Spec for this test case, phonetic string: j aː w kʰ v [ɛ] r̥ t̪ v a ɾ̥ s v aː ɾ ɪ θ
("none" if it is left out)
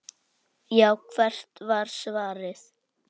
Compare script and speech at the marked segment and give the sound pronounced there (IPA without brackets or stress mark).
ɛ